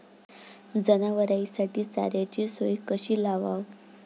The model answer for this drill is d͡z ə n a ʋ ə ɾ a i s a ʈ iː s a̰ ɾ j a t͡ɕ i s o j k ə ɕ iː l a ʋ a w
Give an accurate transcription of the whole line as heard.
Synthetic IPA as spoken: d͡z ə n a ʋ ə ɾ a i s a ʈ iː t͡s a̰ ɾ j a t͡ɕ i s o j k ə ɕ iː l a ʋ a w